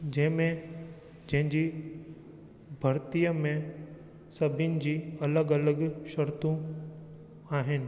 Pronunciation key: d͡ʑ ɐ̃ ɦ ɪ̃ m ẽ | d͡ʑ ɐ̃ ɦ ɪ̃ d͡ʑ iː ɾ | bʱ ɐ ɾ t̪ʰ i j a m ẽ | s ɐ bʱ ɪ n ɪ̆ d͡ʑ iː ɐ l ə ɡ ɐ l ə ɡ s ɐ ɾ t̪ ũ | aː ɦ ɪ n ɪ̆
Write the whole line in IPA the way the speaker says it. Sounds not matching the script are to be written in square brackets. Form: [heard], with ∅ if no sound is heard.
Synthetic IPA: d͡ʑ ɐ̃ ɦ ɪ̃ m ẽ | d͡ʑ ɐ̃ ɦ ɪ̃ d͡ʑ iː [∅] | bʱ ɐ ɾ [t̪] i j [ə] m ẽ | s ɐ bʱ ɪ n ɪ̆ d͡ʑ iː ɐ l ə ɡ ɐ l ə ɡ [ʃ] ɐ ɾ t̪ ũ | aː ɦ ɪ n ɪ̆

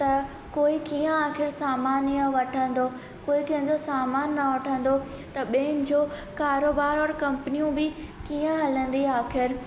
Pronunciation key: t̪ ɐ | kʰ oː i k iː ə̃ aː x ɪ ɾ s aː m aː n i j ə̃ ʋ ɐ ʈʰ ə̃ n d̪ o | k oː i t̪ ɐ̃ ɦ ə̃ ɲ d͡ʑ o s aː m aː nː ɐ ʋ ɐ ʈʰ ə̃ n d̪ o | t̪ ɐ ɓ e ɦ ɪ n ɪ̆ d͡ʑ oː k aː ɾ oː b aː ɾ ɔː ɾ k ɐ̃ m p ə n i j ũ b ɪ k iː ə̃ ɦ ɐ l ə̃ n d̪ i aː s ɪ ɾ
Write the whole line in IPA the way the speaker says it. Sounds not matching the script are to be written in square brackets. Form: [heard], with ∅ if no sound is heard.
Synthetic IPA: t̪ ɐ | [k] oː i k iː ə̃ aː x ɪ ɾ s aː m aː n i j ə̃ ʋ ɐ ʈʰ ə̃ n d̪ o | k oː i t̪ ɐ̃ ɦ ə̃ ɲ d͡ʑ o s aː m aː nː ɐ ʋ ɐ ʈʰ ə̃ n d̪ o | t̪ ɐ ɓ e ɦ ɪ n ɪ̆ d͡ʑ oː k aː ɾ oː b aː ɾ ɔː ɾ k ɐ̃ m p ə n i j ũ b ɪ k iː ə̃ ɦ ɐ l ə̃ n d̪ i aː [x] ɪ ɾ

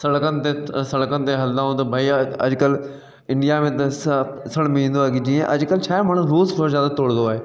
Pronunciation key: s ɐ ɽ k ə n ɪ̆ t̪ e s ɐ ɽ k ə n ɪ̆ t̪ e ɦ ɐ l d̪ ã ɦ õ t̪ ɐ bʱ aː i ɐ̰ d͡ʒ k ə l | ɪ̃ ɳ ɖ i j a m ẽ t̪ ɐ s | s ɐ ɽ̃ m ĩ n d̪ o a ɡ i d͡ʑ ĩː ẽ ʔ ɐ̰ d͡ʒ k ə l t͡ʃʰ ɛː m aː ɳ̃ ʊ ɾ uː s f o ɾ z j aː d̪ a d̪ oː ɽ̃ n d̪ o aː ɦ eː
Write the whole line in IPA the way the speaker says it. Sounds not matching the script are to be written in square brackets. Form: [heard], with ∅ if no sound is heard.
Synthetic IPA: s ɐ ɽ k ə n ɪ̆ t̪ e s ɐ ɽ k ə n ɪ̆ t̪ e ɦ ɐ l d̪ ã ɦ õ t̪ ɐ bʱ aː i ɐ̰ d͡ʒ k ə l | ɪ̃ ɳ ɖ i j a m ẽ t̪ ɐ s | s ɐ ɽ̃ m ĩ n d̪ o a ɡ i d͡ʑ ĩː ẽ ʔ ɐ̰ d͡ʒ k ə l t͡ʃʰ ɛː m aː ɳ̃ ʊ ɾ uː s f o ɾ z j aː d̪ a [t̪] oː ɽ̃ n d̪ o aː ɦ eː

